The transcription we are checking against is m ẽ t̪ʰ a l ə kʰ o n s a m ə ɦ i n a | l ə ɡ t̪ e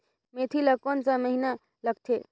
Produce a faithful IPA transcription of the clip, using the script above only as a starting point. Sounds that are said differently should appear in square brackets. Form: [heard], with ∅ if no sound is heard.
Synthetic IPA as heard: m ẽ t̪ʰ [i] l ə [k] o n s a m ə ɦ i n a | l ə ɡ [t̪ʰ] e